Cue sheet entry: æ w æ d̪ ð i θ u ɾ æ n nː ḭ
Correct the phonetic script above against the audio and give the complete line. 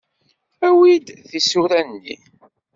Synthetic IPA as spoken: æ w i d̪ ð i s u ɾ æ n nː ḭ